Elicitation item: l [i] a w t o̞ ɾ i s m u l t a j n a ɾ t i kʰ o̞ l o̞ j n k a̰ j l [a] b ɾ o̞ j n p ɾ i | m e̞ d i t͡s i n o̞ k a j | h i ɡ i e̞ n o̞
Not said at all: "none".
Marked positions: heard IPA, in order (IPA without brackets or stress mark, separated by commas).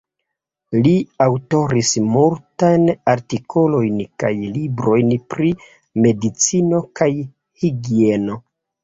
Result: i, i